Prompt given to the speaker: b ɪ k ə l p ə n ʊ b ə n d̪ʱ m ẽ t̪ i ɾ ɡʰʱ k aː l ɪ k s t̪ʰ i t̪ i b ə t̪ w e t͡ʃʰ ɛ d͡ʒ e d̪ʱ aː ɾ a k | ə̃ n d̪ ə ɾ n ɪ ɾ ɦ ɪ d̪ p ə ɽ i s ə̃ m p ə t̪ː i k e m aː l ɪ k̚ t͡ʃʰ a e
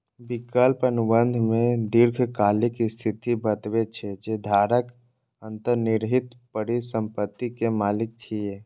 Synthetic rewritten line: b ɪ k ə l p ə n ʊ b ə n d̪ʱ m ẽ d̪ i ɾ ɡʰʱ k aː l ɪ k s t̪ʰ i t̪ i b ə t̪ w e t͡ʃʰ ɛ d͡ʒ e d̪ʱ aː ɾ ə k | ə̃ n t̪ ə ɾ n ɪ ɾ ɦ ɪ t̪ p ə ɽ i s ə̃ m p ə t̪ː i k e m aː l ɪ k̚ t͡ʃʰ i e